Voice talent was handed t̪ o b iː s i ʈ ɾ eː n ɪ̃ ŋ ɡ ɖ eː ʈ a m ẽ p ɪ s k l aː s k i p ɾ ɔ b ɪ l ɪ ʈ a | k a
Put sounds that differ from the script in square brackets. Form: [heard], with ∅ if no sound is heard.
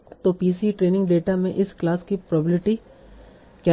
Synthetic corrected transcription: t̪ o [p] iː s i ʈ ɾ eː n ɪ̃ ŋ ɡ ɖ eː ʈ a m ẽ [ʔ] ɪ s k l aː s k i p ɾ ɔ b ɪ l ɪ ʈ [i] | k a